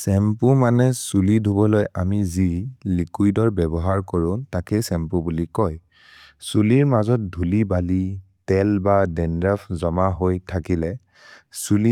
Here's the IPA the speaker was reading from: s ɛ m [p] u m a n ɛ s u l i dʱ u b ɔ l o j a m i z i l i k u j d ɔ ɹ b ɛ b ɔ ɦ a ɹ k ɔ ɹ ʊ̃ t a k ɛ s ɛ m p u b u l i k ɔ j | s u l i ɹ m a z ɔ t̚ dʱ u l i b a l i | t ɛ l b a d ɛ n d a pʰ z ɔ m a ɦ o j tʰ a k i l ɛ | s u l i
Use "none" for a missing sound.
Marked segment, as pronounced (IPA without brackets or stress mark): p